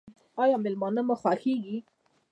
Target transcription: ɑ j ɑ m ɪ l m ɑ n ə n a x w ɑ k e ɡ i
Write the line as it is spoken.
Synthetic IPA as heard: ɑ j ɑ m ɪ l m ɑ n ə m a x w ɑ x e ɡ i